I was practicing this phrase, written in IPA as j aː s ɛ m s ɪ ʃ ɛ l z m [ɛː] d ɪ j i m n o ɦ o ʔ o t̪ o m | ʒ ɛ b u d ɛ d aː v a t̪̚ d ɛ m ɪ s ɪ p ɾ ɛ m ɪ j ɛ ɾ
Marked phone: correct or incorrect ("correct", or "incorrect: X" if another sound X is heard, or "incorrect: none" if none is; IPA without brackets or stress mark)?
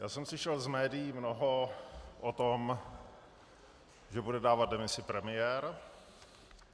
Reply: correct